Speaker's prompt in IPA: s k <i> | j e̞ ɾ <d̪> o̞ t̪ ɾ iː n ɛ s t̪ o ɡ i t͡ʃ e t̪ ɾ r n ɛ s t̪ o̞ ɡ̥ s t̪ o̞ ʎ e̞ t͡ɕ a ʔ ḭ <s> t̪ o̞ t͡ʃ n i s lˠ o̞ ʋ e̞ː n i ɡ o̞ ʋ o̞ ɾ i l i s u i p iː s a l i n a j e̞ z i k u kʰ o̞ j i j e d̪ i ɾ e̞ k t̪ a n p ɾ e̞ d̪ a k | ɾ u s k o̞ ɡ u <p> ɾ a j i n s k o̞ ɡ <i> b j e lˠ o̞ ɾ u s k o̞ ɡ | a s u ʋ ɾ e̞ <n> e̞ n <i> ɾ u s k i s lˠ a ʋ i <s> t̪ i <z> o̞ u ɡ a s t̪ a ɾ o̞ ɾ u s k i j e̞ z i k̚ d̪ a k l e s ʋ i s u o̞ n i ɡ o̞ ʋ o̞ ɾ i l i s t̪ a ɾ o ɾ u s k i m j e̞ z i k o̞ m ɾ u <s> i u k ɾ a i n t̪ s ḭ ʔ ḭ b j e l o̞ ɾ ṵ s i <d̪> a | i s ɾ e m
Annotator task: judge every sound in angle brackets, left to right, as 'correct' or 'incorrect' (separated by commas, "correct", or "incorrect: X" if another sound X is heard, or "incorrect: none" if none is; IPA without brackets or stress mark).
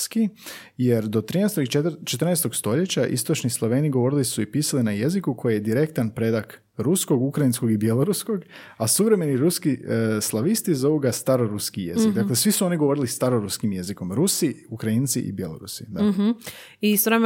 correct, correct, correct, incorrect: k, correct, incorrect: m, correct, correct, correct, correct, correct